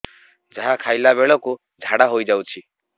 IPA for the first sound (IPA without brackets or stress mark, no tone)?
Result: d͡ʒ